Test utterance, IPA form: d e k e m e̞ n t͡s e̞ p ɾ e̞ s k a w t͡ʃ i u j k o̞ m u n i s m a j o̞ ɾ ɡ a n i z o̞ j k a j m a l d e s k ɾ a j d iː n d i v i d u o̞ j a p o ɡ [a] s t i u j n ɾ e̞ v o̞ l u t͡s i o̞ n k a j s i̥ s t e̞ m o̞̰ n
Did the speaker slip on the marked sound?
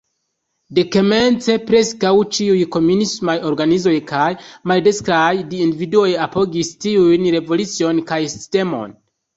yes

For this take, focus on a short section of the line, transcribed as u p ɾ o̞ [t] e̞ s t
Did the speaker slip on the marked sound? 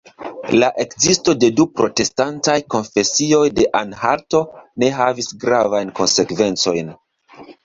no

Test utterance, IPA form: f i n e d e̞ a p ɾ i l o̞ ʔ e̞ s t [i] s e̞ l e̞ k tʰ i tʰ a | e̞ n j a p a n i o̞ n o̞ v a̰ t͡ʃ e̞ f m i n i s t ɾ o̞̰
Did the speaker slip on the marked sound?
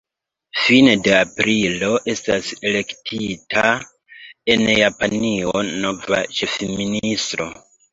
yes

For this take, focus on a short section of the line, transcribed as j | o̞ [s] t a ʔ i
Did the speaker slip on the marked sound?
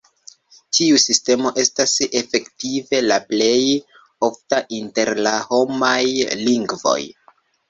yes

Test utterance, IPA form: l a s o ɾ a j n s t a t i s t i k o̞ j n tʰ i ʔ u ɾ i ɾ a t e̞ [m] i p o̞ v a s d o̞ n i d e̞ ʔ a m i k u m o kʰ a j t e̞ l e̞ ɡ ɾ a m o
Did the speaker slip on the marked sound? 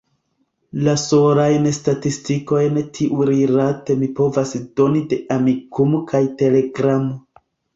no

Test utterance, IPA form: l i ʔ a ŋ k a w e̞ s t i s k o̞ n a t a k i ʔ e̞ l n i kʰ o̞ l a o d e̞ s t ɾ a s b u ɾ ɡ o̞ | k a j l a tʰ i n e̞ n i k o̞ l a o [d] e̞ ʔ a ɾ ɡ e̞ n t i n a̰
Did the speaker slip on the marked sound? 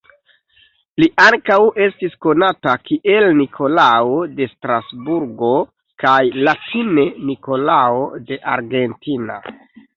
no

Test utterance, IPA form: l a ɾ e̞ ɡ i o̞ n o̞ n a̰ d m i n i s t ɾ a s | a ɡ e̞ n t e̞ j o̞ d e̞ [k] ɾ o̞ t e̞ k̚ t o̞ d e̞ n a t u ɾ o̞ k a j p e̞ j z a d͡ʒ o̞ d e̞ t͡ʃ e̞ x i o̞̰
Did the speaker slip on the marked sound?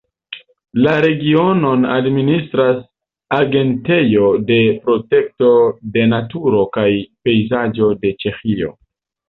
yes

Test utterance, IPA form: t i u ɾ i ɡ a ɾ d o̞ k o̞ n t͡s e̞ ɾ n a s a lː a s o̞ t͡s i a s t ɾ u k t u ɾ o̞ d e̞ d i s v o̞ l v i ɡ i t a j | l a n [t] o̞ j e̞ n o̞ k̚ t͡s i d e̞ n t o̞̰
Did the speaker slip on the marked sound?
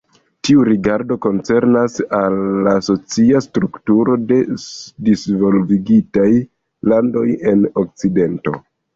yes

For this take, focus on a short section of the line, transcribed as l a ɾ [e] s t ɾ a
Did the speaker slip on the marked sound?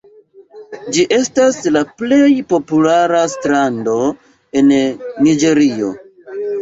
yes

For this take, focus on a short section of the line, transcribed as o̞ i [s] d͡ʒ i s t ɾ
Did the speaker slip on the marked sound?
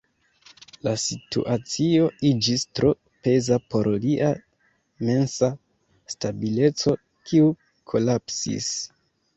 yes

